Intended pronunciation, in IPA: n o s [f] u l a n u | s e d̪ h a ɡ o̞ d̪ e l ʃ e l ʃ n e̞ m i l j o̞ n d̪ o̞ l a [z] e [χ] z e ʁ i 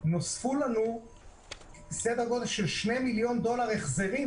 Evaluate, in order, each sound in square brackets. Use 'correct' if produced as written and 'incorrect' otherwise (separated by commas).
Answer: correct, incorrect, correct